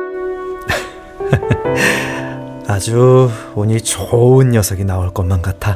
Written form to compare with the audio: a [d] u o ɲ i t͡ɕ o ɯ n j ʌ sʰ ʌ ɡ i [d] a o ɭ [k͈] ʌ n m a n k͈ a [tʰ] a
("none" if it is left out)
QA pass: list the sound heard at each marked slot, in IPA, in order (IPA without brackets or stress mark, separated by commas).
d͡ʑ, n, k͈, tʰ